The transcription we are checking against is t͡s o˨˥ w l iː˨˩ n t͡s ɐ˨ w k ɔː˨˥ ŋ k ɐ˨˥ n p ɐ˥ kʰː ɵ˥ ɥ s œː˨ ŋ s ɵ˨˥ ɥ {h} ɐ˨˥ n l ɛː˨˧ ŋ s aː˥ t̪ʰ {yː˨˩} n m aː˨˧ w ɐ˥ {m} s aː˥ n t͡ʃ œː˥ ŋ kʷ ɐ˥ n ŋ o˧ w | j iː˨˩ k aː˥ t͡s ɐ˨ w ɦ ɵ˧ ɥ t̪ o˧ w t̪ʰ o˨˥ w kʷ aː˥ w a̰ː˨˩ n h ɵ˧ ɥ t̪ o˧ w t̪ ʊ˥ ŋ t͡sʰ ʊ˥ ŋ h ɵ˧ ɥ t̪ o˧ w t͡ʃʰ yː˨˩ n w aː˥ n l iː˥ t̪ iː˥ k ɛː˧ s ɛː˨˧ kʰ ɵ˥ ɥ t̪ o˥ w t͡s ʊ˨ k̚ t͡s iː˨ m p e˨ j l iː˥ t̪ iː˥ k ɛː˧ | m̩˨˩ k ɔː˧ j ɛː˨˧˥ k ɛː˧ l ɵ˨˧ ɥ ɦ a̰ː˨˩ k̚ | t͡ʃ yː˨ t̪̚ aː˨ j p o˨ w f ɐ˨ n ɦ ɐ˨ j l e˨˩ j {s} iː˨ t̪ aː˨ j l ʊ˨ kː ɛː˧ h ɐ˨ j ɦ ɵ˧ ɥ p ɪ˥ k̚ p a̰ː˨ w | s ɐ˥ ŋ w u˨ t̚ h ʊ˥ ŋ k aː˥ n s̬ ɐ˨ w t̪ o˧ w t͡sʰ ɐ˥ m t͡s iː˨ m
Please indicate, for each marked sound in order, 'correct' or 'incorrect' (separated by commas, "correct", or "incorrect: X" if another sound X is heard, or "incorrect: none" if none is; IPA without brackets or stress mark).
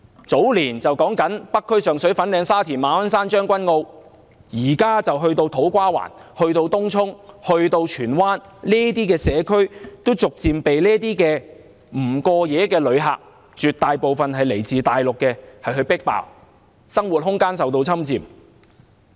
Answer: incorrect: f, incorrect: iː˨˩, incorrect: n, incorrect: t͡s